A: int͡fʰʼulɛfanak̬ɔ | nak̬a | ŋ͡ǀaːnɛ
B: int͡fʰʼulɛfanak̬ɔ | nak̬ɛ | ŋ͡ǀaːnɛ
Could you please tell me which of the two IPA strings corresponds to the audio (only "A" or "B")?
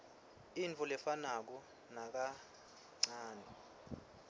A